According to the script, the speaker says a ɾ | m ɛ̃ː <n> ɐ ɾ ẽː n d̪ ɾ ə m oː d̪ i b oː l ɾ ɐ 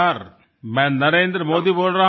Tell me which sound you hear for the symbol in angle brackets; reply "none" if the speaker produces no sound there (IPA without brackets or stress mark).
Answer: n